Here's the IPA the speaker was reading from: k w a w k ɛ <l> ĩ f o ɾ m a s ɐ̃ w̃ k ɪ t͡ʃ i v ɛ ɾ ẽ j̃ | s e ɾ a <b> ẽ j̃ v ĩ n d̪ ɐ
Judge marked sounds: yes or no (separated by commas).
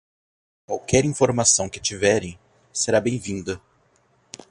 no, yes